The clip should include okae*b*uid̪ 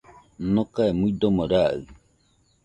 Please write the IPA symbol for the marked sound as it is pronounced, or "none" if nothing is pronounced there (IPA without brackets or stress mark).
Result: m